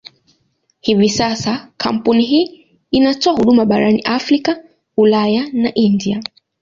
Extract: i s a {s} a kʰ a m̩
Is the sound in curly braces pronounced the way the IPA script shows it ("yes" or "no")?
yes